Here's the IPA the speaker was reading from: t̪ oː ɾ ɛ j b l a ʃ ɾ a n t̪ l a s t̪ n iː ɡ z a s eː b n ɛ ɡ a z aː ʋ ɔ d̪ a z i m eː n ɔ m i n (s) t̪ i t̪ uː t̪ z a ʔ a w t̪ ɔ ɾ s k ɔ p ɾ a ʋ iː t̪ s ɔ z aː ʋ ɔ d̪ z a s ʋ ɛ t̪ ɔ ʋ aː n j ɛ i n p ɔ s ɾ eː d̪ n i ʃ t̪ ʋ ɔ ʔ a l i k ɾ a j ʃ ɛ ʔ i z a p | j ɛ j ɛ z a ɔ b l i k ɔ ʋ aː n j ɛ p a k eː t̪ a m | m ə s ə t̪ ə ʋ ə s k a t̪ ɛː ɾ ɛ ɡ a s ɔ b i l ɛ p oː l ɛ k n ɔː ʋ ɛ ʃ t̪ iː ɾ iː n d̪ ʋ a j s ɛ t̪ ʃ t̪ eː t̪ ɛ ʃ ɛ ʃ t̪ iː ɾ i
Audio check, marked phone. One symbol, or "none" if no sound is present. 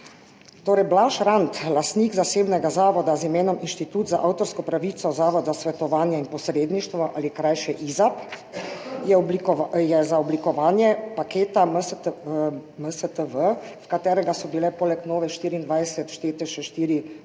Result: ʃ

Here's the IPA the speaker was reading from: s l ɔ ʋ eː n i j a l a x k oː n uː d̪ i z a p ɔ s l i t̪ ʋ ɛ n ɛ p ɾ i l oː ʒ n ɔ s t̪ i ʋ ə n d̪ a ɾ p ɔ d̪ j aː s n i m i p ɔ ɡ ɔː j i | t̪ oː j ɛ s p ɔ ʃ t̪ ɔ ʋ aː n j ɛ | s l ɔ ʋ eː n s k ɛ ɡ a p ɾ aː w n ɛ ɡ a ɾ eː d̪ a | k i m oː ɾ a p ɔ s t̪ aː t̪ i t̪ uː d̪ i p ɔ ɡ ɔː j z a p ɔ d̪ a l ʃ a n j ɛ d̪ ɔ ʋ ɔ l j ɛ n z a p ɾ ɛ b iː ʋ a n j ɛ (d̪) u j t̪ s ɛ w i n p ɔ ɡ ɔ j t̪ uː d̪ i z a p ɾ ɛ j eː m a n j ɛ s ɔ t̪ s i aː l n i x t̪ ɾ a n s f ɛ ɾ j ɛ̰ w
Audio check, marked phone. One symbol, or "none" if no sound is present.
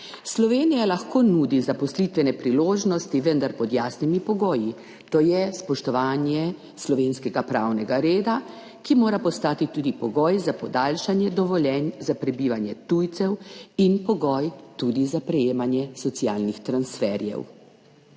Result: t̪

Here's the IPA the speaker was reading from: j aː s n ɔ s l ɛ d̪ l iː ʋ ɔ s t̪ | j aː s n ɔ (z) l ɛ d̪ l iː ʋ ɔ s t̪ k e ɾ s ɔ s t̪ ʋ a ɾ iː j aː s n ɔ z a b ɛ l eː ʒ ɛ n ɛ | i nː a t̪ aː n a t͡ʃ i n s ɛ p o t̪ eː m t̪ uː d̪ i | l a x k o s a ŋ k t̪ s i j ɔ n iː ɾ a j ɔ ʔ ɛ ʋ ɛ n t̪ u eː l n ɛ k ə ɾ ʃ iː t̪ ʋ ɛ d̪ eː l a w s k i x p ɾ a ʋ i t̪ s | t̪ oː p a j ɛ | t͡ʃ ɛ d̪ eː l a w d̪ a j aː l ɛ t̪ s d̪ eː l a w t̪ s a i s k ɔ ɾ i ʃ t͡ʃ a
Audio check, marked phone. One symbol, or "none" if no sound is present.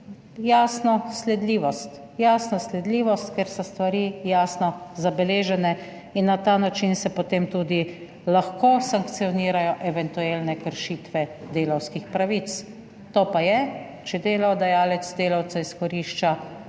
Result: s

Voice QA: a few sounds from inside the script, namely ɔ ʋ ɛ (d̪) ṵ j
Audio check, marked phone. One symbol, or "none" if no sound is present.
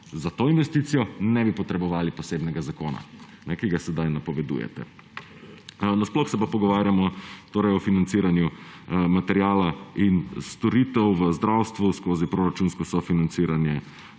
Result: d̪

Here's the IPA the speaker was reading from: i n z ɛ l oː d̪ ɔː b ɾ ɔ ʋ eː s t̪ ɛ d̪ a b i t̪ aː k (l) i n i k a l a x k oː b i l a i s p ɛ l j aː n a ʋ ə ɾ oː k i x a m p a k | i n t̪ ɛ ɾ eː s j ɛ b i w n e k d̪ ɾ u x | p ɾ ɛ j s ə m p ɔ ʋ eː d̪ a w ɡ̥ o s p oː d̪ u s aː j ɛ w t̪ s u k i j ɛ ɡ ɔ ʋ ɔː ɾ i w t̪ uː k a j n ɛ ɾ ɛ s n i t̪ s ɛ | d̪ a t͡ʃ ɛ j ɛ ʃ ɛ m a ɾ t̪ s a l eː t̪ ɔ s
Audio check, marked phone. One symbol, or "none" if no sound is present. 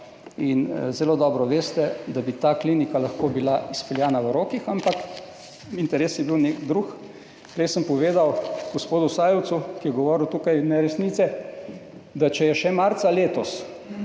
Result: l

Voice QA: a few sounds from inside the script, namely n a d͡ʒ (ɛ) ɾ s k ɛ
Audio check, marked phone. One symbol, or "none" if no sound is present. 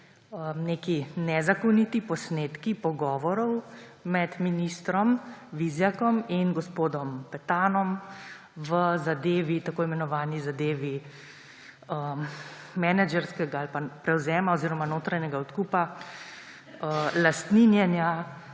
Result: ɛ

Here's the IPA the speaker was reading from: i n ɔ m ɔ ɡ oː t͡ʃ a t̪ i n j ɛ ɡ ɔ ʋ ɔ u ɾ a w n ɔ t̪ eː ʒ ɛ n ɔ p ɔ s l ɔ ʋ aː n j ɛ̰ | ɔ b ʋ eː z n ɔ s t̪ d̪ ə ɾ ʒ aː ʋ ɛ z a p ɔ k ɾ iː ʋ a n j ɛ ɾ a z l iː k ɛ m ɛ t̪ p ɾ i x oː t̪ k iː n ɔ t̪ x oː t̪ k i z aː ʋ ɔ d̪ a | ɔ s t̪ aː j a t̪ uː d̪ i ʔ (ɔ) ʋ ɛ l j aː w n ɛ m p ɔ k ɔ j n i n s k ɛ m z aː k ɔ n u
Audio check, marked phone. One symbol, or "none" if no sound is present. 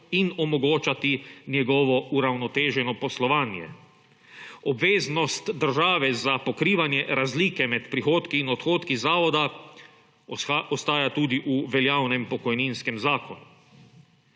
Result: u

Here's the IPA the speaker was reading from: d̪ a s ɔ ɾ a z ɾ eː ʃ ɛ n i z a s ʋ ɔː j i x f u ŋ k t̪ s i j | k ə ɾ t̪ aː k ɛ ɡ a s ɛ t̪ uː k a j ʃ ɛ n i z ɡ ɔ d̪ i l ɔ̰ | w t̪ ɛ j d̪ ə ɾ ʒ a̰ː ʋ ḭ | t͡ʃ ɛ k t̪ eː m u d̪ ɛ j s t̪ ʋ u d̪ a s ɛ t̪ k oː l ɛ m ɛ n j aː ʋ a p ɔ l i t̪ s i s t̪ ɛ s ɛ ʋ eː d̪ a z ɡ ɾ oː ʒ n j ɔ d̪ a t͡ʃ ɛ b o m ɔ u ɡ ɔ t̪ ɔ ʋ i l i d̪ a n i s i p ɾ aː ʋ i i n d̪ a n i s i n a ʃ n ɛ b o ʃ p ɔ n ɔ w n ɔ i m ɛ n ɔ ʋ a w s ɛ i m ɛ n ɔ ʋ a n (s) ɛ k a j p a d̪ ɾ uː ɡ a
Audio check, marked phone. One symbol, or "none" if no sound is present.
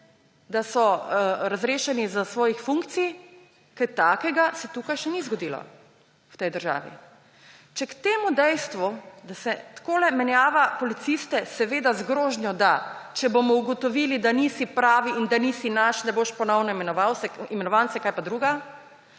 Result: s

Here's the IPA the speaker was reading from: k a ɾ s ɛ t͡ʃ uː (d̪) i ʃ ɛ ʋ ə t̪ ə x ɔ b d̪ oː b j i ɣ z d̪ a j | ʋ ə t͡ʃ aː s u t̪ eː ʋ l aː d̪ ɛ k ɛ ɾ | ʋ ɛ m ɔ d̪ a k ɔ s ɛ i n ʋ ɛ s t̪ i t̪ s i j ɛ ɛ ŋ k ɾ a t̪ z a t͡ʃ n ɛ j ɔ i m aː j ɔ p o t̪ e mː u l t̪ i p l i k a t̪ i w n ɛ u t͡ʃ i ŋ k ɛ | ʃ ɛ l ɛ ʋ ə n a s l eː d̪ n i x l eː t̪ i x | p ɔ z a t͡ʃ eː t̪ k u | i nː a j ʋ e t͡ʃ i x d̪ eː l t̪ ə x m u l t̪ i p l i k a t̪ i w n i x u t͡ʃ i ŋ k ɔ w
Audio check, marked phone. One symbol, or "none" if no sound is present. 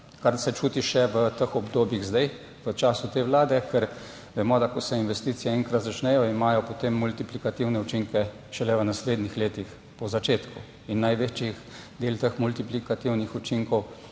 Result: t̪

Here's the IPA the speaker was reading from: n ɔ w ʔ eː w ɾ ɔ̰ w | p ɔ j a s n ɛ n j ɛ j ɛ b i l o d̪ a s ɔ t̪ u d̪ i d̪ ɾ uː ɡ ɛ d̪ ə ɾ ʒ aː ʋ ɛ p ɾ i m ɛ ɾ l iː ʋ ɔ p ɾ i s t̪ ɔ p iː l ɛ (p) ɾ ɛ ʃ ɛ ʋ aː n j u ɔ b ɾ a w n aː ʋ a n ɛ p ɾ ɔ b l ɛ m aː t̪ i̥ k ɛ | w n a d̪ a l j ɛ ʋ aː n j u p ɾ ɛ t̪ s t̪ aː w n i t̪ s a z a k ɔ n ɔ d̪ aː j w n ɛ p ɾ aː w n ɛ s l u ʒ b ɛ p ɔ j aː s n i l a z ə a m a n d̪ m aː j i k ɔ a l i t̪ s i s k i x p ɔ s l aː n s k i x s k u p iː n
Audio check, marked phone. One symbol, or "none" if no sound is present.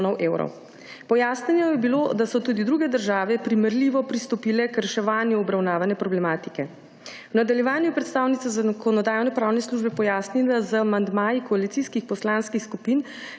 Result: k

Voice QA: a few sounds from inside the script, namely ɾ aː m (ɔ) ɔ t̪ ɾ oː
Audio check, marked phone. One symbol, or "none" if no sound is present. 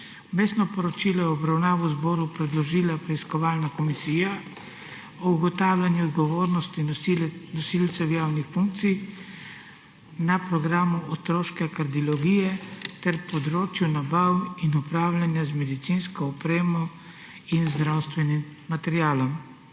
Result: u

